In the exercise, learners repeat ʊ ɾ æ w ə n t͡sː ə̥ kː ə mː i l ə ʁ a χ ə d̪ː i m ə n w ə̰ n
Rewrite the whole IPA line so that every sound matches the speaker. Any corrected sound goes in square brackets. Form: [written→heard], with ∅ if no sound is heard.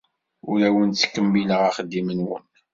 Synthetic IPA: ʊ ɾ æ w ə n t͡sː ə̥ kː ə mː i l ə ʁ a χ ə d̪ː i m ə n w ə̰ n